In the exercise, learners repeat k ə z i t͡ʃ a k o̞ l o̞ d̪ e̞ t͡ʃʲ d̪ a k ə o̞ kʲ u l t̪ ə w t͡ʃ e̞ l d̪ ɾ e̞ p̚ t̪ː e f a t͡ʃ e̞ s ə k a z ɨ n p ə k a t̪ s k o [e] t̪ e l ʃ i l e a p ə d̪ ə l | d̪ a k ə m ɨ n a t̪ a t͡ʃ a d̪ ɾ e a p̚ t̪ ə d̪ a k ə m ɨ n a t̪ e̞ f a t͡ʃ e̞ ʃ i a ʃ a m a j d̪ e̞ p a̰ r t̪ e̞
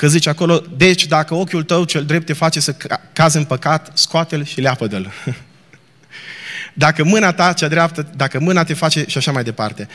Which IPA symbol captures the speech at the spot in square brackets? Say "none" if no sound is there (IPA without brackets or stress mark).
a